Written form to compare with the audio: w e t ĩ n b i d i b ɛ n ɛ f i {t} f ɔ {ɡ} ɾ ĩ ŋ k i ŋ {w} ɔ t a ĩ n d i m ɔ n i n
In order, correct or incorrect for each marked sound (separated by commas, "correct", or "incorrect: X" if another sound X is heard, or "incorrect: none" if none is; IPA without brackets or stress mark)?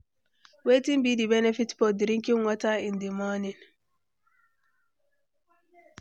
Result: correct, incorrect: d, correct